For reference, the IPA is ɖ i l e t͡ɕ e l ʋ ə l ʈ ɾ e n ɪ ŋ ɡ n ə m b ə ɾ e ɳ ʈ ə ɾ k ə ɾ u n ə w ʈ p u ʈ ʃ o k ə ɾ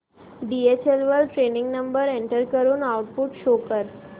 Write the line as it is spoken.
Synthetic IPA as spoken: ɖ i e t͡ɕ e l ʋ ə l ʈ ɾ e n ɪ ŋ ɡ n ə m b ə ɾ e ɳ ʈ ə ɾ k ə ɾ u n a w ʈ p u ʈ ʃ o k ə ɾ